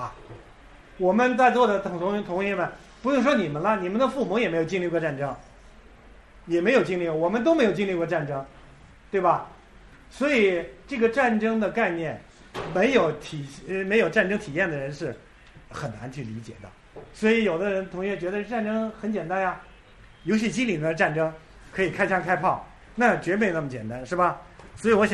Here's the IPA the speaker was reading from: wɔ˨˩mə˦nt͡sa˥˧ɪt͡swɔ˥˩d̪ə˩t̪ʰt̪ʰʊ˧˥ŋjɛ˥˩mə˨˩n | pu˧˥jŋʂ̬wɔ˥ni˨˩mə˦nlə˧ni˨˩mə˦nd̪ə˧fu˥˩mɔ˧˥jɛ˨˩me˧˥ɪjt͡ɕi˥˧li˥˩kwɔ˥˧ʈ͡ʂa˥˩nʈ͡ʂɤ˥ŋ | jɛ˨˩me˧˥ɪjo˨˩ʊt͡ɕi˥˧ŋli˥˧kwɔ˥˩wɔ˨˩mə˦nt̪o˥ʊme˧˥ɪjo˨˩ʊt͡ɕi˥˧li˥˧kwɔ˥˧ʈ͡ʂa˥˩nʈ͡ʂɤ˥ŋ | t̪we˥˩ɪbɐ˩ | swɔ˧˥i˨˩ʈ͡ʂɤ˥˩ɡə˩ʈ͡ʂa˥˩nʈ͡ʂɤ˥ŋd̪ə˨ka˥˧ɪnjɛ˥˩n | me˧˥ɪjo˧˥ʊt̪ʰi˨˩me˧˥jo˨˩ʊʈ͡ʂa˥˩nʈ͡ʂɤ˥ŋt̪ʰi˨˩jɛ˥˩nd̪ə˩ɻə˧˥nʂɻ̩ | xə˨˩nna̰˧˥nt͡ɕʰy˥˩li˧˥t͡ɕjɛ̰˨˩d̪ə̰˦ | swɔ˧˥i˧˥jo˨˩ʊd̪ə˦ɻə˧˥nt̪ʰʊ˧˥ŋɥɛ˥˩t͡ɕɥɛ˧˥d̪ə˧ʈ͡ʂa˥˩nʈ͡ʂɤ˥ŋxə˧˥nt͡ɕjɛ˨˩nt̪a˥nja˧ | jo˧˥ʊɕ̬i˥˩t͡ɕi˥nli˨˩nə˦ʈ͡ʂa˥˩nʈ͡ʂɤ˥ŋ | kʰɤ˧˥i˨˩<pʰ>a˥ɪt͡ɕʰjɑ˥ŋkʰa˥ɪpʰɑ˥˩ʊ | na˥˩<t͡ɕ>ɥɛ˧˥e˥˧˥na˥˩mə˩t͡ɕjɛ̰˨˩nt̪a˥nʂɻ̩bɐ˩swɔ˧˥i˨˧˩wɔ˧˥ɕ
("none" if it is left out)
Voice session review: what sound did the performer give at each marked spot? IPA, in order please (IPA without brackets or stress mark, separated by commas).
kʰ, t͡ɕ